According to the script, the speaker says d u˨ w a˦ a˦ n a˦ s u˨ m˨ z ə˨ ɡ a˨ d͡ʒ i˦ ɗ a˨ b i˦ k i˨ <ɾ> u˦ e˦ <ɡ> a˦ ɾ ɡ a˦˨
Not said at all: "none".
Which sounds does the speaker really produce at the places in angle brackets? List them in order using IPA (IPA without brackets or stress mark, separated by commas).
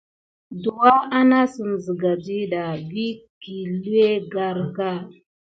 l, ɡ